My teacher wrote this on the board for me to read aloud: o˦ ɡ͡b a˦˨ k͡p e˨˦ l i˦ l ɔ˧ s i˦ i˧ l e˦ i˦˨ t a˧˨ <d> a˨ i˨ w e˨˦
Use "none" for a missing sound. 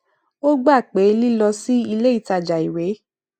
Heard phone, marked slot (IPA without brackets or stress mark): d͡ʒ